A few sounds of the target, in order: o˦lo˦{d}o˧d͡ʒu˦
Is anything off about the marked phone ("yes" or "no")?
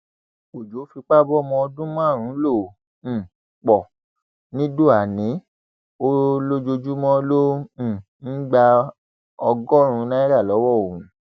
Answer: yes